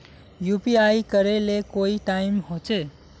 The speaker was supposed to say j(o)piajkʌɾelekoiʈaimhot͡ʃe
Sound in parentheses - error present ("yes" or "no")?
yes